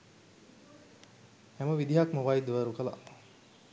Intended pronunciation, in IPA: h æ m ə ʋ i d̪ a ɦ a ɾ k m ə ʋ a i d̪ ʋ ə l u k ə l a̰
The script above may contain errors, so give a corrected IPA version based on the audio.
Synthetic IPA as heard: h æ m ə ʋ i d̪ i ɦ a k m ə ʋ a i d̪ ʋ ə ɾ u k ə l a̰